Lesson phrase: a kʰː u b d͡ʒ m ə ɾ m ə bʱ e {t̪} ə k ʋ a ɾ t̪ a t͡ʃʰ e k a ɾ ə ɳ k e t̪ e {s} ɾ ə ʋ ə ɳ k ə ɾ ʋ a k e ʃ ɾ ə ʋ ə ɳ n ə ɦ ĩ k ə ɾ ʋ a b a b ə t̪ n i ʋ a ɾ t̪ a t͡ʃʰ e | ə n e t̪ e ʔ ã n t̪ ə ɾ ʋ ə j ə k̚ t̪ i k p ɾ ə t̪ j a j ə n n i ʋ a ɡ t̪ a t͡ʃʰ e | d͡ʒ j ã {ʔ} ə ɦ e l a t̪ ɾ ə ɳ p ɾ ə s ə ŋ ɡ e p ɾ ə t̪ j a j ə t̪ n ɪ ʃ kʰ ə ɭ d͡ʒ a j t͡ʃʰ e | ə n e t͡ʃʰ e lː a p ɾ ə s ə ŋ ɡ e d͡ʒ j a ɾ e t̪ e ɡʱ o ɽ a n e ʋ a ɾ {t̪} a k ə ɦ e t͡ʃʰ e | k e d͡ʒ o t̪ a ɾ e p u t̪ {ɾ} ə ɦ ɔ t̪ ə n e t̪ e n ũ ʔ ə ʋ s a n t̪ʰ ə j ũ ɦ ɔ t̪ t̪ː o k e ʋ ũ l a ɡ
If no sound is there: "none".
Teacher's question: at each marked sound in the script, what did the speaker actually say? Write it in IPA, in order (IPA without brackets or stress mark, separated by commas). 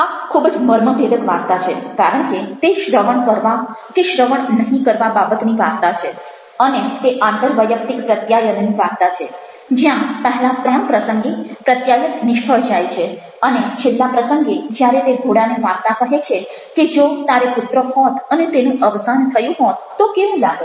d̪, ʃ, p, t̪, ɾ